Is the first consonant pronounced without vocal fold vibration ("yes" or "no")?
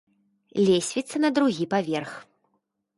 no